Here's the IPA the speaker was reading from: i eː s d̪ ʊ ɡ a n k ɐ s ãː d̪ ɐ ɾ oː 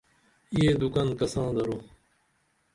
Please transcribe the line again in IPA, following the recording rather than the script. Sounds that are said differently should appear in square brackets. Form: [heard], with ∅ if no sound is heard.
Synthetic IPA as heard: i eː [∅] d̪ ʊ [k] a n k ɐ s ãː d̪ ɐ ɾ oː